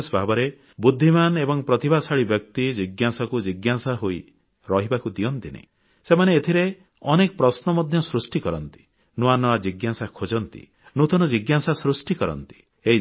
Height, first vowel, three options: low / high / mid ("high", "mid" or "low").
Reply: low